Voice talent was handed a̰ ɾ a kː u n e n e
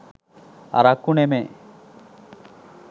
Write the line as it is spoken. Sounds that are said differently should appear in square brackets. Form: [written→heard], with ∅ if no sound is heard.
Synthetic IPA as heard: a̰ ɾ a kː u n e [n→m] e